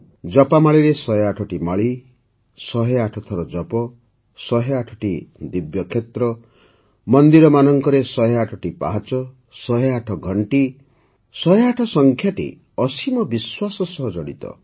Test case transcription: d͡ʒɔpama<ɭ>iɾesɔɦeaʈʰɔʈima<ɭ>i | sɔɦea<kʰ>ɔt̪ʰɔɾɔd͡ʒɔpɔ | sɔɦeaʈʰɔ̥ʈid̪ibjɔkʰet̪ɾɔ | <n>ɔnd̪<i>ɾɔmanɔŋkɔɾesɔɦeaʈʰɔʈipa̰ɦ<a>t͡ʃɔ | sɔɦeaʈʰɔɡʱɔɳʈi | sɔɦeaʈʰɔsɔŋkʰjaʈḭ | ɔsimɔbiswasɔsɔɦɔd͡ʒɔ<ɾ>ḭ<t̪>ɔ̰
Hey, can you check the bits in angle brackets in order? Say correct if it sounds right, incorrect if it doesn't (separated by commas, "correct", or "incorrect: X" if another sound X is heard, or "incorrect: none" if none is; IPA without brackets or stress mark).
correct, correct, incorrect: ʈʰ, incorrect: m, correct, correct, incorrect: ɽ, correct